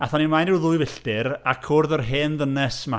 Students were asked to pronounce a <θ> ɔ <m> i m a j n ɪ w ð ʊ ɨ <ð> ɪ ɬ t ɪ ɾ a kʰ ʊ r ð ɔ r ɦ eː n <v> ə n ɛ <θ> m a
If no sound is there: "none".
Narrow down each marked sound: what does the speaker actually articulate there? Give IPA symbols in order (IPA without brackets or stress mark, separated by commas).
θ, n, v, ð, s